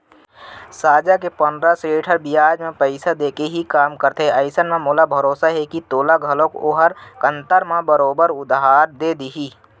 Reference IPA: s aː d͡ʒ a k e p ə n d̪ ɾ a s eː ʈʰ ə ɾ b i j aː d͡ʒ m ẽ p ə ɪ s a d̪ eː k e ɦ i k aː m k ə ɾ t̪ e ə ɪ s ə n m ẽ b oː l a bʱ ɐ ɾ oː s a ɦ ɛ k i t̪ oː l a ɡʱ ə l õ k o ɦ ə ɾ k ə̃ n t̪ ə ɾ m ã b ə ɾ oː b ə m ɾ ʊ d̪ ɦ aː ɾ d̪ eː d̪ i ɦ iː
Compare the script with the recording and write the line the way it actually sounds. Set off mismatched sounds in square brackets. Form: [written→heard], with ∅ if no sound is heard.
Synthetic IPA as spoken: s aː d͡ʒ a k e p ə n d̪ ɾ a s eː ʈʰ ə ɾ b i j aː d͡ʒ m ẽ p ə ɪ s a d̪ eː k e ɦ i k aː m k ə ɾ t̪ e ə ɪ s ə n m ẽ [b→m] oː l a bʱ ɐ ɾ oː s a ɦ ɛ k i t̪ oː l a ɡʱ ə l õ k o ɦ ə ɾ k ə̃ n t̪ ə ɾ m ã b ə ɾ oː b ə [m→∅] ɾ ʊ d̪ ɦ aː ɾ d̪ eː d̪ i ɦ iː